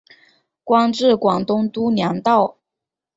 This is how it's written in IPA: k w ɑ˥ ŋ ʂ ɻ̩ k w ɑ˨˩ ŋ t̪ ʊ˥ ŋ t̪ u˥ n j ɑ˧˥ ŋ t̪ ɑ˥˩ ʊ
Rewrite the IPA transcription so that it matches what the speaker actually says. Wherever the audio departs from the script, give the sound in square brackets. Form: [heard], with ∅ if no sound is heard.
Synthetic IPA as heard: k w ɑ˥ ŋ [ʈ͡ʂ] ɻ̩ k w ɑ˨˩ ŋ t̪ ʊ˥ ŋ t̪ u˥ n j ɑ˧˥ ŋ t̪ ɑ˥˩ ʊ